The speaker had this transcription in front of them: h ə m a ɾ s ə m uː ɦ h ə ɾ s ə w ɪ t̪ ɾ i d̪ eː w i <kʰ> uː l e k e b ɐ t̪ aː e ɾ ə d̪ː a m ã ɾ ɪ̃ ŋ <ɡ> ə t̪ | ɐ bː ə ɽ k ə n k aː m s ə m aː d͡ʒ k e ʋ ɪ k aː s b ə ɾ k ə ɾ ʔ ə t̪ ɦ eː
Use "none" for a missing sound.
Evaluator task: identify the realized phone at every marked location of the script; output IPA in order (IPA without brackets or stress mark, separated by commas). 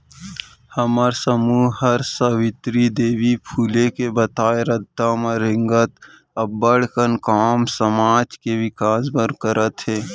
pʰ, ɡ